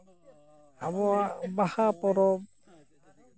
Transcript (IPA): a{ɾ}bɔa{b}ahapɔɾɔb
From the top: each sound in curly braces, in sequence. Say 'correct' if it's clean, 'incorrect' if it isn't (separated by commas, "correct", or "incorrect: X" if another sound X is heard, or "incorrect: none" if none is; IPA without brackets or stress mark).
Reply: incorrect: none, correct